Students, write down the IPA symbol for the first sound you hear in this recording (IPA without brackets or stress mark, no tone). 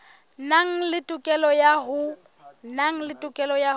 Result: n